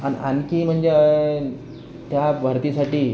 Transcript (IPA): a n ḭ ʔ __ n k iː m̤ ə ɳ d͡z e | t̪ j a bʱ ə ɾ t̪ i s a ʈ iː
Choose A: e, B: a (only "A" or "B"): B